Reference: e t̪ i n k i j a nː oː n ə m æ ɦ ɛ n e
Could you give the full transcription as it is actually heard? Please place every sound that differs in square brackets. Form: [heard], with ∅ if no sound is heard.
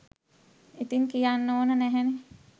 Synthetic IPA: [i] t̪ i [ŋ] k i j a nː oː n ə [n] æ ɦ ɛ n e